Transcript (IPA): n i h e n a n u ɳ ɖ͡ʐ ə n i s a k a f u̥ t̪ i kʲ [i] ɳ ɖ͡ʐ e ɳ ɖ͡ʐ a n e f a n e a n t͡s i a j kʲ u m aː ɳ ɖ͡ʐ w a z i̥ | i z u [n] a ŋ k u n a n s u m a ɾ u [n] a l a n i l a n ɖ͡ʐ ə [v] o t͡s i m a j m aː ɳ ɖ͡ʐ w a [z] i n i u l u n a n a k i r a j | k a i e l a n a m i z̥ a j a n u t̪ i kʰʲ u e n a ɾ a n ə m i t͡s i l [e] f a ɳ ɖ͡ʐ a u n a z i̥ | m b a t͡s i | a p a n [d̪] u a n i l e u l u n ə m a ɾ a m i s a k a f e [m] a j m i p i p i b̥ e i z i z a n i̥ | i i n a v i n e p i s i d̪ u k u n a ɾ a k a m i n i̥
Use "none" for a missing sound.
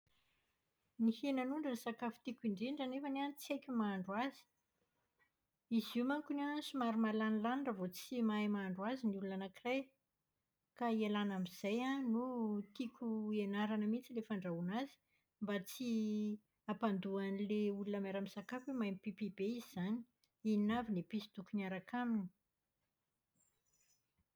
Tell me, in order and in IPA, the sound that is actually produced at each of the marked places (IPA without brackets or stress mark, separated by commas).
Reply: i, m, m, v, z, e, d̪, m